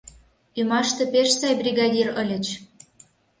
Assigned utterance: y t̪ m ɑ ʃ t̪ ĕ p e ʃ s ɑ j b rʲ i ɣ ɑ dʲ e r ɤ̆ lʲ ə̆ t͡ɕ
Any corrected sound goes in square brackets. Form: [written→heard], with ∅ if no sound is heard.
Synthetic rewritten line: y [t̪→∅] m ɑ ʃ t̪ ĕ p e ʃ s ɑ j b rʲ i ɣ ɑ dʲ [e→i] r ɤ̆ lʲ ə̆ t͡ɕ